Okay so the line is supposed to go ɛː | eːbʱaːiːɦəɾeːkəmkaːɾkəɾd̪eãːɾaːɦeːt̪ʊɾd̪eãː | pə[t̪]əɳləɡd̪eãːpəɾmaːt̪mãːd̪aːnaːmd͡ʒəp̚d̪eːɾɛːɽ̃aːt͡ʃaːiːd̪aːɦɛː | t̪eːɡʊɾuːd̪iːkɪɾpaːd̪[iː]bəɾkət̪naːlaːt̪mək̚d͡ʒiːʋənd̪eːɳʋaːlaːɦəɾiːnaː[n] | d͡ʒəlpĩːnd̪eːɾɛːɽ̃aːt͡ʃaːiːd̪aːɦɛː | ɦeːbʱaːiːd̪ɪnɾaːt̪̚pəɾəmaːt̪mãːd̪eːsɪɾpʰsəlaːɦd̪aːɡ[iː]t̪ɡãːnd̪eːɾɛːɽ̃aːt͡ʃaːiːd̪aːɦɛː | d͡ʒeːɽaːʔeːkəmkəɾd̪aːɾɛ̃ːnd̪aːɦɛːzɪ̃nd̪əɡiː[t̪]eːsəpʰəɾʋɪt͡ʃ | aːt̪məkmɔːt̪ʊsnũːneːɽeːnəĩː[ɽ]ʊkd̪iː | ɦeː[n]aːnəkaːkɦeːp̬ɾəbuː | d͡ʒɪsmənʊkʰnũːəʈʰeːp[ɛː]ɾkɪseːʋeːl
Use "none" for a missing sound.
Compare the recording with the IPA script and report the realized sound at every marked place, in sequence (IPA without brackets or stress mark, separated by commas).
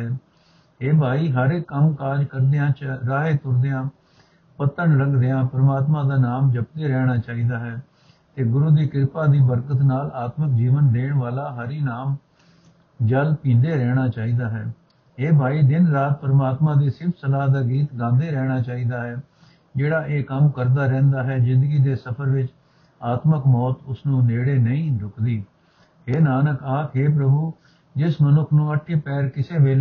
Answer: t̪, iː, m, iː, d̪, ɾ, n, ɛː